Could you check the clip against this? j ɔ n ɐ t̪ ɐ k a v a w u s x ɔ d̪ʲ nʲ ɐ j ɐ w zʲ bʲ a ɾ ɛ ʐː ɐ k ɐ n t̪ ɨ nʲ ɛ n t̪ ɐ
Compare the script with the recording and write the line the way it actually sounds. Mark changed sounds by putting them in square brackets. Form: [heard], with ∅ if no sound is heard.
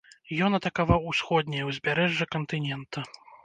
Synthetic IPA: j ɔ n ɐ t̪ ɐ k a v a w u s x ɔ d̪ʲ nʲ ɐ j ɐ w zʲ bʲ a ɾ ɛ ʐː ɐ k ɐ n t̪ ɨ nʲ ɛ n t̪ ɐ